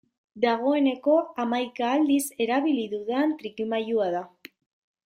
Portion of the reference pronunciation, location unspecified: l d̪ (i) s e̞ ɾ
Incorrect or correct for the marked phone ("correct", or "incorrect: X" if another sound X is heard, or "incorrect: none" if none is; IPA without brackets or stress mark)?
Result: correct